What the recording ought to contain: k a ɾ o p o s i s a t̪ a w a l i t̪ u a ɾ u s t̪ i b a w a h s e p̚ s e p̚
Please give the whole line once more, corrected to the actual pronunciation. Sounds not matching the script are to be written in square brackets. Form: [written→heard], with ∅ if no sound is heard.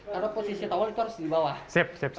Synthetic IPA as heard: k a ɾ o p o s i s [a→i] t̪ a w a l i t̪ u a ɾ [u→ʊ] s [t̪→d̪] i b a w a h s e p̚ s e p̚